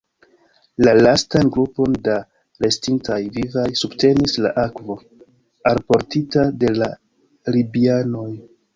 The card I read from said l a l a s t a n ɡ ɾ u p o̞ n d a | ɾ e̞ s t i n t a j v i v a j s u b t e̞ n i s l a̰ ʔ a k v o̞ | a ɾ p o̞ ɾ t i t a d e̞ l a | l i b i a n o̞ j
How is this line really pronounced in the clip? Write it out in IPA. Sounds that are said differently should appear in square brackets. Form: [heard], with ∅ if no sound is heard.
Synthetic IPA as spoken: l a l a s t a n ɡ ɾ u p o̞ n d a | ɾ e̞ s t i n t a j v i v a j s u b t e̞ n i s l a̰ ʔ a k v o̞ | a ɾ p o̞ ɾ t i t a d e̞ l a | l i b i a n o̞ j